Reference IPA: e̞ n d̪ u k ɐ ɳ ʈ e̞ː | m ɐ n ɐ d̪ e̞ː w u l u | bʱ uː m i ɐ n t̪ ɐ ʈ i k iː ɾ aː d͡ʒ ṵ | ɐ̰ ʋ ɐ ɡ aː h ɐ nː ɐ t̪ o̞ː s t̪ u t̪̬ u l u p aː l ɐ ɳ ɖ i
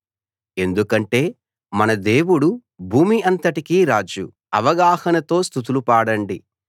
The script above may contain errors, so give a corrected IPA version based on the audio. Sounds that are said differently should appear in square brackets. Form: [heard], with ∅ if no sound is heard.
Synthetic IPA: e̞ n d̪ u k ɐ ɳ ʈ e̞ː | m ɐ n ɐ d̪ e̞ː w u [ɽ] u | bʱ uː m i ɐ n t̪ ɐ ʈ i k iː ɾ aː d͡ʒ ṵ | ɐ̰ ʋ ɐ ɡ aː h ɐ [n] ɐ t̪ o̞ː s t̪ u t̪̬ u l u p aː [ɽ] ɐ ɳ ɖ i